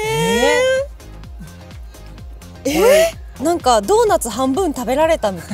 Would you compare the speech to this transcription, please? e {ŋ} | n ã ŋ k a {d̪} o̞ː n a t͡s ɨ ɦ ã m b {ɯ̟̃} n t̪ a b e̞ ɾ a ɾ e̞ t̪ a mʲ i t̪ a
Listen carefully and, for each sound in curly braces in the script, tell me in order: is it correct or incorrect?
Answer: incorrect, correct, correct

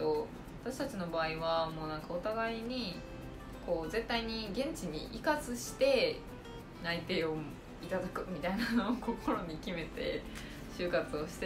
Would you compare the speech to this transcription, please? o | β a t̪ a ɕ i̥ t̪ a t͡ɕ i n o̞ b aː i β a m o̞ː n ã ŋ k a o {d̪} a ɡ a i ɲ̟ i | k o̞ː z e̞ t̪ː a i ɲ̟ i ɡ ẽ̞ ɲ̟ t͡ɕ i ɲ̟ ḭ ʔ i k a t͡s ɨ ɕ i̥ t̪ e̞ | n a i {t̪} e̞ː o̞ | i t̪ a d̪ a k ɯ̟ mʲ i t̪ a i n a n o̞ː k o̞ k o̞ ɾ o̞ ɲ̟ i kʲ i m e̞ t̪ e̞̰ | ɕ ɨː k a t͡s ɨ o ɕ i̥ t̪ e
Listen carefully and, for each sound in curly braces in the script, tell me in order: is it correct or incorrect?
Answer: incorrect, correct

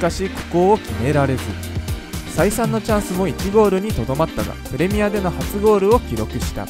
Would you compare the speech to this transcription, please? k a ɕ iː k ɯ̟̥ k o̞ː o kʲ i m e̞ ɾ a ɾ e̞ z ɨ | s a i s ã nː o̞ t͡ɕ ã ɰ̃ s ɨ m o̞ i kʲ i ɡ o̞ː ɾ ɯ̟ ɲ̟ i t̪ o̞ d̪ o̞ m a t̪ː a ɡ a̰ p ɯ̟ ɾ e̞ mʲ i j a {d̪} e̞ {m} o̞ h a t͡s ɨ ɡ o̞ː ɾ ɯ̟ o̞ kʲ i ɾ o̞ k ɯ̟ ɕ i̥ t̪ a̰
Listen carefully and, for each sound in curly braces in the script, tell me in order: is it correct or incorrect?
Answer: correct, incorrect

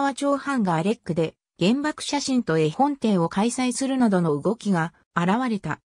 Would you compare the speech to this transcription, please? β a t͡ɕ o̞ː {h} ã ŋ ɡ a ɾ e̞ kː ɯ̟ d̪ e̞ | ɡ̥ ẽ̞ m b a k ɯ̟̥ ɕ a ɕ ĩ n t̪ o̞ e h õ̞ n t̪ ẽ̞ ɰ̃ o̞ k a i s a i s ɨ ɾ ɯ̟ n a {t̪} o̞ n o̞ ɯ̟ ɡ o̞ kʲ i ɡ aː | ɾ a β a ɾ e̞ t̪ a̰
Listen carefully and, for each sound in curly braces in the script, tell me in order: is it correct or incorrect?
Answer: correct, incorrect

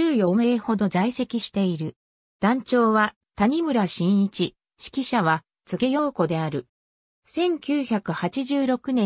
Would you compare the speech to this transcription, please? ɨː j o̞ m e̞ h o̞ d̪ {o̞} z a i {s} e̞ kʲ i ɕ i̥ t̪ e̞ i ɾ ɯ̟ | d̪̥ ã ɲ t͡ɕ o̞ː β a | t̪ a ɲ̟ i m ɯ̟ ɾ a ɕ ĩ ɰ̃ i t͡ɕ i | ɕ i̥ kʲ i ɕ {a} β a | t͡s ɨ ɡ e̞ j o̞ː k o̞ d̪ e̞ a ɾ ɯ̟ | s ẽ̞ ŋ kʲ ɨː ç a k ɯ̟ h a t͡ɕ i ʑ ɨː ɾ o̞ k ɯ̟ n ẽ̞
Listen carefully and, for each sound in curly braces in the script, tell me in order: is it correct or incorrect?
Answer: correct, correct, correct

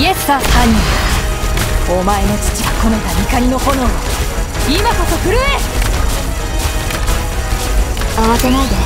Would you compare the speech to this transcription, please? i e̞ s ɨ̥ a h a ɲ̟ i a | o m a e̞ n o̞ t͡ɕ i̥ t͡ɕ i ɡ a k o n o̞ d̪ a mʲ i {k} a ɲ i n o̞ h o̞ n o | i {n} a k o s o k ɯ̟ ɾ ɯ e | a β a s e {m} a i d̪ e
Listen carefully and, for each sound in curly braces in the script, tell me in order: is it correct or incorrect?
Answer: correct, incorrect, incorrect

